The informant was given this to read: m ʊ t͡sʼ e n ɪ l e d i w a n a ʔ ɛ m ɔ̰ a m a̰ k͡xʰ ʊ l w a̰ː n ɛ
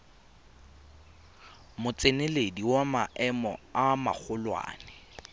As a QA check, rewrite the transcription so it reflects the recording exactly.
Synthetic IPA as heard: m ʊ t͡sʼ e n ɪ l e d i w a m a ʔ ɛ m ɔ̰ a m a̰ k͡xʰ ʊ l w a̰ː n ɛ